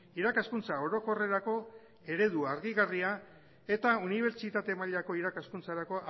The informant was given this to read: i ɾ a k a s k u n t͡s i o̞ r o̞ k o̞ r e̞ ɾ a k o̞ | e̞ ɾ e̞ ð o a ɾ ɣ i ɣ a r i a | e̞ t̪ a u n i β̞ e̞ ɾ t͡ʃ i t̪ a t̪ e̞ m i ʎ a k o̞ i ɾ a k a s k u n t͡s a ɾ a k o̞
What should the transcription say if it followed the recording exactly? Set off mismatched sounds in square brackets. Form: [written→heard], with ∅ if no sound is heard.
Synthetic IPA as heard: i ɾ a k a s k u n t͡s [i→a] o̞ [r→ɾ] o̞ k o̞ r e̞ ɾ a k o̞ | e̞ ɾ e̞ ð [o→u] a ɾ ɣ i ɣ a r i a | e̞ t̪ a u n i β̞ e̞ ɾ t͡ʃ i t̪ a t̪ e̞ m [i→a] ʎ a k o̞ i ɾ a k a s k u n t͡s a ɾ a k o̞